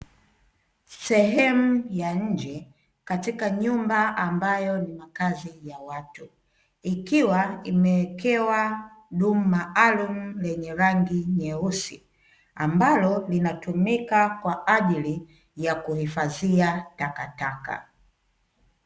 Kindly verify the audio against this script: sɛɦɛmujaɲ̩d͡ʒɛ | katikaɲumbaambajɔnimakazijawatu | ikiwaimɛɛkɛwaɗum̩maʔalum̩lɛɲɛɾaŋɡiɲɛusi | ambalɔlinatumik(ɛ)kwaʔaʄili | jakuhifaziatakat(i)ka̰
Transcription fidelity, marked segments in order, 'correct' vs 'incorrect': incorrect: a, incorrect: a

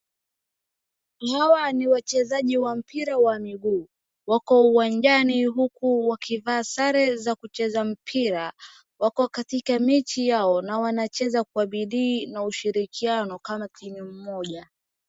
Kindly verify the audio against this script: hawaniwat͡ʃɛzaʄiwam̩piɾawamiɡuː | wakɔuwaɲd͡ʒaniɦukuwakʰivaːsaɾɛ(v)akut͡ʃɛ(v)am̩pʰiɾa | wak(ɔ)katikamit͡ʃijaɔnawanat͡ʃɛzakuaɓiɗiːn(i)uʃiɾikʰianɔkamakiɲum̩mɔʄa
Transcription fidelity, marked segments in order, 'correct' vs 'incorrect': incorrect: z, incorrect: z, correct, incorrect: a

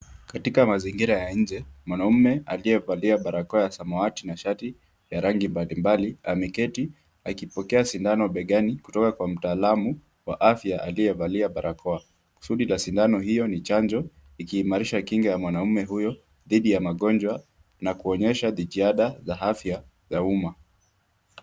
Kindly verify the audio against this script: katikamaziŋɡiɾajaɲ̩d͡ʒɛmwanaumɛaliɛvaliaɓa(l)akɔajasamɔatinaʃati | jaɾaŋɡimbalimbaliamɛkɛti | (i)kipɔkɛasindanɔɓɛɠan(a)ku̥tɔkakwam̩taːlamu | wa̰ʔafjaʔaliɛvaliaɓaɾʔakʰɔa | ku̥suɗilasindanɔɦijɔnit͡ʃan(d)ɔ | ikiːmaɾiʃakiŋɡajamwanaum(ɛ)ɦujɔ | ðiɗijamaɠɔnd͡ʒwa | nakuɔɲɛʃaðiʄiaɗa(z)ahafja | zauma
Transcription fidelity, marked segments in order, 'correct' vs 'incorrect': incorrect: ɾ, incorrect: a, incorrect: i, incorrect: d͡ʒ, correct, correct

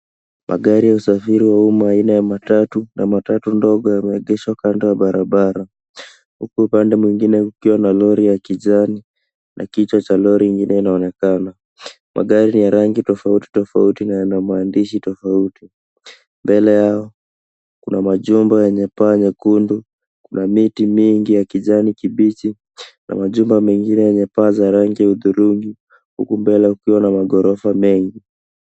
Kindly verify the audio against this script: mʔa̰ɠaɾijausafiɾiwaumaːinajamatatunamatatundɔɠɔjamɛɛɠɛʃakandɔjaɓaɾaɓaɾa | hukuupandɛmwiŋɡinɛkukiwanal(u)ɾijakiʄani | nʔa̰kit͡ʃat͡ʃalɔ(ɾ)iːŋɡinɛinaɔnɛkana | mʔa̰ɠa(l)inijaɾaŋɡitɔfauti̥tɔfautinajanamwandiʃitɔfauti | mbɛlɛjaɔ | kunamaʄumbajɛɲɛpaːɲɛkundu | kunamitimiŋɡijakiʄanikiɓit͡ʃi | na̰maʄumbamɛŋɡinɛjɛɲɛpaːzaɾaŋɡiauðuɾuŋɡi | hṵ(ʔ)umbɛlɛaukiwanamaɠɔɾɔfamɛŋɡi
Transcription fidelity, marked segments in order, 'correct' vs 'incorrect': incorrect: ɔ, correct, incorrect: ɾ, incorrect: k

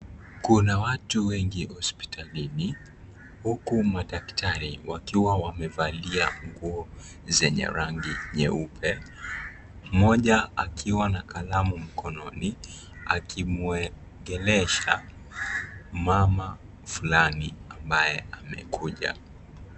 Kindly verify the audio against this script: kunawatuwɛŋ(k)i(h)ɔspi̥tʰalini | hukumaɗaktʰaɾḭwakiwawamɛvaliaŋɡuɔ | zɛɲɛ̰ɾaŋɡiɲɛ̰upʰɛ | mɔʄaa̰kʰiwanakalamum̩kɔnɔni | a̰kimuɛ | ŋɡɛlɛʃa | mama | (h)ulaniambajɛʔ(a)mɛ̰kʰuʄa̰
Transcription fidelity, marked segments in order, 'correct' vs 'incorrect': incorrect: ɡ, correct, incorrect: f, correct

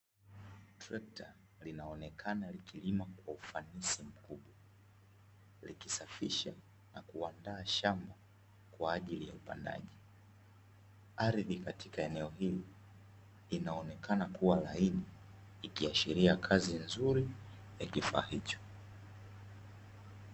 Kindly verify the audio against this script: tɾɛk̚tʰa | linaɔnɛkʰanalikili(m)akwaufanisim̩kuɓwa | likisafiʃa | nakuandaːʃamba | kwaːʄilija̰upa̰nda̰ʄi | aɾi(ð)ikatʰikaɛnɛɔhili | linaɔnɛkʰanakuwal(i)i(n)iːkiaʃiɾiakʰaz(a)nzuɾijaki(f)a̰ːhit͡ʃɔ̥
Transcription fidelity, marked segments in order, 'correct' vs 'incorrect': correct, correct, incorrect: a, correct, incorrect: i, correct

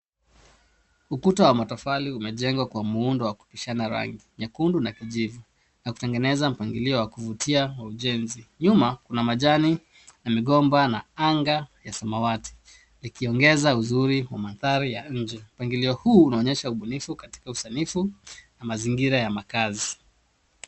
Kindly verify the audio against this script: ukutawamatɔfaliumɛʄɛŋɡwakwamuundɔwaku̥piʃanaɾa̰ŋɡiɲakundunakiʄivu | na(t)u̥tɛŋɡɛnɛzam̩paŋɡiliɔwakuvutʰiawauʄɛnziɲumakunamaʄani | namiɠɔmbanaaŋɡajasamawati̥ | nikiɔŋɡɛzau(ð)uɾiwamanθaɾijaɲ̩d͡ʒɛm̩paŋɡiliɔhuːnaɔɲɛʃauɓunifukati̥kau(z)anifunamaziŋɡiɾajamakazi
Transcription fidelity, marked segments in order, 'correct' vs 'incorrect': incorrect: k, incorrect: z, incorrect: s

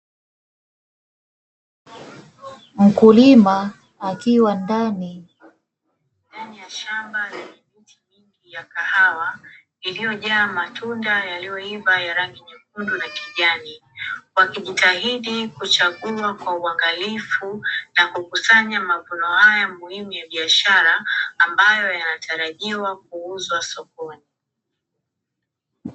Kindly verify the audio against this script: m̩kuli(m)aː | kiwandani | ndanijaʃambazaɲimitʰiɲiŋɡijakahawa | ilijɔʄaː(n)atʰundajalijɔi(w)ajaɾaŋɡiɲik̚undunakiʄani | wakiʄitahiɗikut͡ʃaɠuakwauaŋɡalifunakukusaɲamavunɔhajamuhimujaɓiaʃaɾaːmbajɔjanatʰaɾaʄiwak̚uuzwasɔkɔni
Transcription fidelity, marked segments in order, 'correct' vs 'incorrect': correct, incorrect: m, incorrect: v

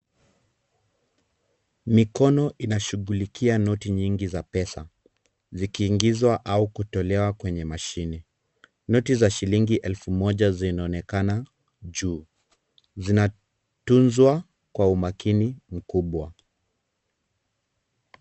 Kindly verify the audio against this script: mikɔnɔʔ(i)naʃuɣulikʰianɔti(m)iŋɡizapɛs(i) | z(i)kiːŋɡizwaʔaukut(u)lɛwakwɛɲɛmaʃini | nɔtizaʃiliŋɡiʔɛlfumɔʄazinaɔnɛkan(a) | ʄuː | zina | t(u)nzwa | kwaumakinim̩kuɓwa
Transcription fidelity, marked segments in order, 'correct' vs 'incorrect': correct, incorrect: ɲ, incorrect: a, correct, incorrect: ɔ, correct, correct

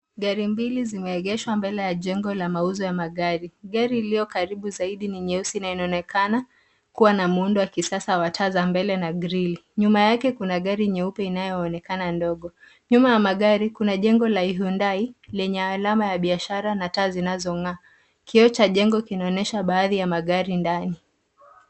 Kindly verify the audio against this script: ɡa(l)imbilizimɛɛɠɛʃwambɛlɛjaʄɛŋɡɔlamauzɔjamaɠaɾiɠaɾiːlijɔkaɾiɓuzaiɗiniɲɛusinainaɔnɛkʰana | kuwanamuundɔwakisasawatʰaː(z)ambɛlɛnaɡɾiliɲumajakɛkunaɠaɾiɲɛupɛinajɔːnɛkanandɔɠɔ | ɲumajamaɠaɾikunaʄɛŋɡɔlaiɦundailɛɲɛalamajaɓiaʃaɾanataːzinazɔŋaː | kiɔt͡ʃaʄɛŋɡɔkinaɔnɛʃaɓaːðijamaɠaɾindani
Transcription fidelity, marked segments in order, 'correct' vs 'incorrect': incorrect: ɾ, correct

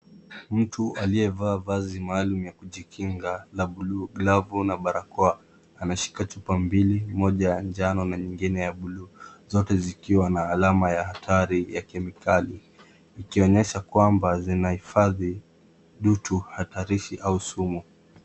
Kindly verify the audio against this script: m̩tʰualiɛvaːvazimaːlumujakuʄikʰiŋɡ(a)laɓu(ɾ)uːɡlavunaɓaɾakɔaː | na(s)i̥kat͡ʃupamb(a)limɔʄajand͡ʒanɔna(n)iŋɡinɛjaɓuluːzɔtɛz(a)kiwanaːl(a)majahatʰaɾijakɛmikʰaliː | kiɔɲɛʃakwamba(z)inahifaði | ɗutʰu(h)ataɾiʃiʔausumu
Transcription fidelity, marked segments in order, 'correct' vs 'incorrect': correct, incorrect: l, incorrect: ʃ, incorrect: i, incorrect: ɲ, incorrect: i, correct, correct, correct

